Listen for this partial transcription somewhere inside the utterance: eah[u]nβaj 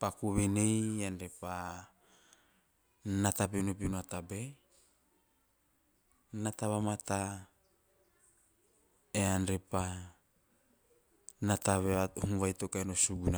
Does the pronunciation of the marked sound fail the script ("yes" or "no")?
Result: no